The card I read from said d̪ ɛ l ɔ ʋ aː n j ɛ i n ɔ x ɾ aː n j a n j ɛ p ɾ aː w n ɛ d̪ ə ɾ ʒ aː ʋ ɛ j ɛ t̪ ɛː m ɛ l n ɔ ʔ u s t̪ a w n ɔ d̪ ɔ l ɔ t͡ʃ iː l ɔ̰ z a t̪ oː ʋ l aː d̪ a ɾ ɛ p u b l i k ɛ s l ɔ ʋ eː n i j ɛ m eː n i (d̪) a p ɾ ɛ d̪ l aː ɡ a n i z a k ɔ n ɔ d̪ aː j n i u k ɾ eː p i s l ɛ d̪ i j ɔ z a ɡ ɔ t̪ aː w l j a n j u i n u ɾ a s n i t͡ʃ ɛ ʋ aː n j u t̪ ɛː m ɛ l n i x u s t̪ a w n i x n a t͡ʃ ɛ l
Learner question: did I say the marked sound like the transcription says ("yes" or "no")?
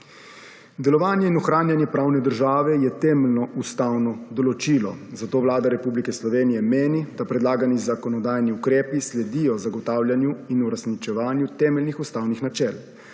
yes